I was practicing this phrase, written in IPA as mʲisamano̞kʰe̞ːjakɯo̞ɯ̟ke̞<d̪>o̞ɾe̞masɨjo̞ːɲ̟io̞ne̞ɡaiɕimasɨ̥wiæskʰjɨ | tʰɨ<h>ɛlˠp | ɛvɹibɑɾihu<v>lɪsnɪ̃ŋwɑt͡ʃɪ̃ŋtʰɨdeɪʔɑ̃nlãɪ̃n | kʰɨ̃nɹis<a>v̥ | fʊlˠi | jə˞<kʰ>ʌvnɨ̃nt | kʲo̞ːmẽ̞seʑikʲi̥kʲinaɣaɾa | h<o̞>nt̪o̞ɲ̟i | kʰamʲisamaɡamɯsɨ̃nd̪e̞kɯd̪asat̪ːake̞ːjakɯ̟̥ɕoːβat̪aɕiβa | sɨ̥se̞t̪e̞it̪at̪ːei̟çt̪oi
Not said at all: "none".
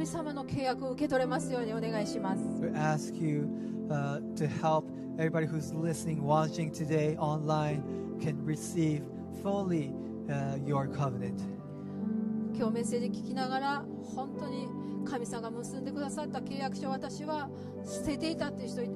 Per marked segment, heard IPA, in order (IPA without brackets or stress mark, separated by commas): t̪, h, z, i, kʰ, õ̞